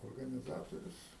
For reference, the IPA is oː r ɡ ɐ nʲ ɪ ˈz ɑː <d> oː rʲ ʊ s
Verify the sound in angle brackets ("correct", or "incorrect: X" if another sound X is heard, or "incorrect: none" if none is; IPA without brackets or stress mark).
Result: incorrect: t